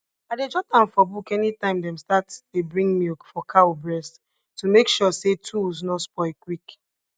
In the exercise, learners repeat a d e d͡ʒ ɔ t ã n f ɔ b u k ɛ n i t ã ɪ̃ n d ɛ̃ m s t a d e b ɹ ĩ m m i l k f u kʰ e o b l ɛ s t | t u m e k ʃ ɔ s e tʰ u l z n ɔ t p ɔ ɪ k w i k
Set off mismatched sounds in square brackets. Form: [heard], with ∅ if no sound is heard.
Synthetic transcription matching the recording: a d e d͡ʒ ɔ t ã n f ɔ b u k ɛ n i t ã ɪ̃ [m] d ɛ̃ m s t a [t] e b ɹ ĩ [ŋ] m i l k f [ɔ] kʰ [a] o b [ɹ] ɛ s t | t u m e k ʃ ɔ s e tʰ u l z n ɔ [s] p ɔ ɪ k w i k